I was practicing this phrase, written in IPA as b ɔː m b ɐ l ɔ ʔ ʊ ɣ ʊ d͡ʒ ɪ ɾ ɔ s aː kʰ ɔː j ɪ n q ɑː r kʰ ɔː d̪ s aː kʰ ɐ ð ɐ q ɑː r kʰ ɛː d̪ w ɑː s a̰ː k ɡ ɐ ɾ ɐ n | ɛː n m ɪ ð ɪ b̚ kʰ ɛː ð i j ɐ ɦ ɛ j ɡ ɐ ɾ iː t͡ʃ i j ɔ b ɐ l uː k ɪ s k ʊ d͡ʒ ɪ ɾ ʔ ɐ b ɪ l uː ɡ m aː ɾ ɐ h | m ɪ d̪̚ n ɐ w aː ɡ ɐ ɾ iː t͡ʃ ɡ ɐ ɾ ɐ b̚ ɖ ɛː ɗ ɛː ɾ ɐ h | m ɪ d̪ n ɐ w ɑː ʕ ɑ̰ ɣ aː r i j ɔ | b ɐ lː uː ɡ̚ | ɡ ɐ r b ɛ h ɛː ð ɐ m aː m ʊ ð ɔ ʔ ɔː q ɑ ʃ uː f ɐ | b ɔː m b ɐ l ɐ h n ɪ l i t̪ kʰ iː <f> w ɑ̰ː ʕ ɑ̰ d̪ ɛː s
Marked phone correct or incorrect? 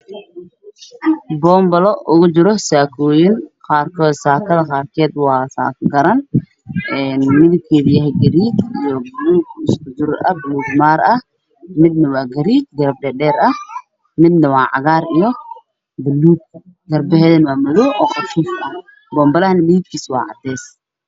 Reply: incorrect